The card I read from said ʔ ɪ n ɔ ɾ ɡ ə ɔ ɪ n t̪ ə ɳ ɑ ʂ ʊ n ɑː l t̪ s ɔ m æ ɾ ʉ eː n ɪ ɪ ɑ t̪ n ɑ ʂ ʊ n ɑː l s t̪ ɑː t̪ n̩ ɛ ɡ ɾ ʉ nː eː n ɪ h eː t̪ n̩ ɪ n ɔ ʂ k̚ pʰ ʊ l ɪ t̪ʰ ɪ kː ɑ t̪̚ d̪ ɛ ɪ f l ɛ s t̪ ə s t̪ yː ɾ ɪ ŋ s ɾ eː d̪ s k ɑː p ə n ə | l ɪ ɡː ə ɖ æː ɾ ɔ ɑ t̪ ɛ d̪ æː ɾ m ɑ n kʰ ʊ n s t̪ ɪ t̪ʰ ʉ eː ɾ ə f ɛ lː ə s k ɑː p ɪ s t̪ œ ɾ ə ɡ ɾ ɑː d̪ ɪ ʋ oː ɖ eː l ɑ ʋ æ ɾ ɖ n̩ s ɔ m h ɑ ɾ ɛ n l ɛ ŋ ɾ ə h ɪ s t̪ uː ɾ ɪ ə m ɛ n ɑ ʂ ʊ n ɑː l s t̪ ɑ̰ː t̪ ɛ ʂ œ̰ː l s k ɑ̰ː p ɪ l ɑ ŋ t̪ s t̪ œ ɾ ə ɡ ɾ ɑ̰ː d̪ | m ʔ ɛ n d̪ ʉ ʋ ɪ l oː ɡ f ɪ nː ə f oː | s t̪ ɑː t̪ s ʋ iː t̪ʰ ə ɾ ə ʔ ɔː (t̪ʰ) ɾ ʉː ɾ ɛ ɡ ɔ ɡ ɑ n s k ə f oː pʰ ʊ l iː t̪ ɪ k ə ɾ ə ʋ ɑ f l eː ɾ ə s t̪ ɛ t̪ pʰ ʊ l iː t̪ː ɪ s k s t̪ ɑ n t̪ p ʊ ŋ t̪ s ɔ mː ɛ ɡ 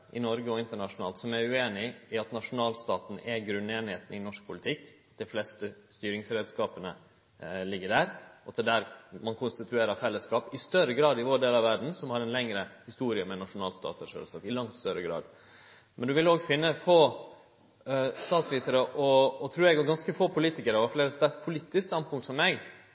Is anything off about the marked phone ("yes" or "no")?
no